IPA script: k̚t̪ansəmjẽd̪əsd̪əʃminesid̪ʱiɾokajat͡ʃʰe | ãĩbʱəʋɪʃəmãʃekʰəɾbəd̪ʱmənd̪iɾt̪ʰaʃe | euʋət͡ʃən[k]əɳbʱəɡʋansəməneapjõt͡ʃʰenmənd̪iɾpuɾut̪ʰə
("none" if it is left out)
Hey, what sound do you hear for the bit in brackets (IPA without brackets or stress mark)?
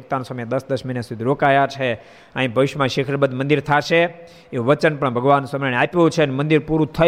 p